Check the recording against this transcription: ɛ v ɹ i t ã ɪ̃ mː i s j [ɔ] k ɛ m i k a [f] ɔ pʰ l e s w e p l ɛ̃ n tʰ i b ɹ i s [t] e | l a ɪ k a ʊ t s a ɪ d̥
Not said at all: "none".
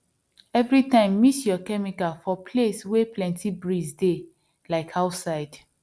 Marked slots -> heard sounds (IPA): ɔ, f, d

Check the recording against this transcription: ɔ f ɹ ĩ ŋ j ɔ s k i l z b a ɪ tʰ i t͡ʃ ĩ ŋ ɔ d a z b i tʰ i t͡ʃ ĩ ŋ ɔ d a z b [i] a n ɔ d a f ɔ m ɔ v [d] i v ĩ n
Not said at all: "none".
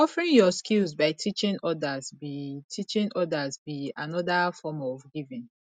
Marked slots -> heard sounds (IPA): i, ɡ

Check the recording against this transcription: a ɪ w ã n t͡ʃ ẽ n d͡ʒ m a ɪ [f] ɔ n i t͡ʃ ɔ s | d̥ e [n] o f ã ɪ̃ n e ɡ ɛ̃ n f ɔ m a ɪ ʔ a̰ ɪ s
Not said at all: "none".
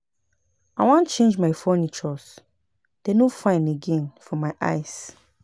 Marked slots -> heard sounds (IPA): f, n

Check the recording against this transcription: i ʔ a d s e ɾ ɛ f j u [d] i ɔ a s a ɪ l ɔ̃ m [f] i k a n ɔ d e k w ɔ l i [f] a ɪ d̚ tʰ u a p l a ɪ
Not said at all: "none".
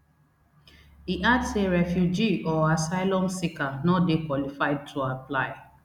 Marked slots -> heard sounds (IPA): d͡ʒ, s, f

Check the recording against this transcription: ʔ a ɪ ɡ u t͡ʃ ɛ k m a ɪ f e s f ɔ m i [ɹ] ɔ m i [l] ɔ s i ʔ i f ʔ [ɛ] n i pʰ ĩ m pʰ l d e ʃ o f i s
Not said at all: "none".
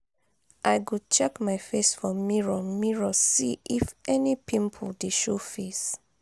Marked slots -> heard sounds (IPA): ɹ, ɹ, ɛ

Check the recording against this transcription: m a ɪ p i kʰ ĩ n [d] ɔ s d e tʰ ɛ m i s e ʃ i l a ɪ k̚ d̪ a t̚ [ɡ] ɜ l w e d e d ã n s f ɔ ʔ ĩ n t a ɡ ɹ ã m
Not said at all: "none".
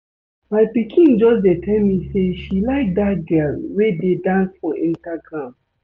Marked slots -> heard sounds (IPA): d͡ʒ, ɡ

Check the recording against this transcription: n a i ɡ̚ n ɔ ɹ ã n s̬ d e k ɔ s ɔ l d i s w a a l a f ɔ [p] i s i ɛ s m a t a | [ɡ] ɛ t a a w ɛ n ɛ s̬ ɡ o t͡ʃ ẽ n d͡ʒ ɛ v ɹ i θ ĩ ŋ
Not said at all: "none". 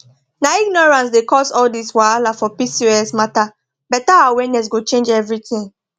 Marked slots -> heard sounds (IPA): p, b

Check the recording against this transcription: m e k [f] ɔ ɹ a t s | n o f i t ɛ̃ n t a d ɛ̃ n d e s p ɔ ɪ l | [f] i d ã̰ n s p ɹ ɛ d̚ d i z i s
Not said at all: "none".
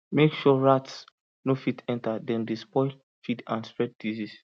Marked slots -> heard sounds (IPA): ʃ, f

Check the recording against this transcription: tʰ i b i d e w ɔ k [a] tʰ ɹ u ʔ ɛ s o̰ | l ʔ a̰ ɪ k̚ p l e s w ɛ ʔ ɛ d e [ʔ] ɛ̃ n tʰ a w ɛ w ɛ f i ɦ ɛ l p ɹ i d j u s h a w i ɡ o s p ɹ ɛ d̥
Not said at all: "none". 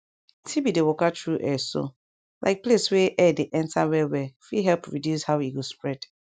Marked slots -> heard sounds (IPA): a, ʔ

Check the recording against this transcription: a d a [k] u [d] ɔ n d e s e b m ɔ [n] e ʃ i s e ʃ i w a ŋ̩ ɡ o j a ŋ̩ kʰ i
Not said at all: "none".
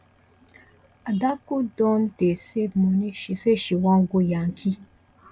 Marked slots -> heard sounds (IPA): k, d, n

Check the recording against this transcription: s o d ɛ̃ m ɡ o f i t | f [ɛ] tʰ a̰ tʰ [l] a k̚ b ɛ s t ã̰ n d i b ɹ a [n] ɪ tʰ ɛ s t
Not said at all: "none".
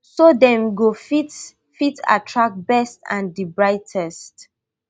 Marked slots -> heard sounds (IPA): i, ɹ, none

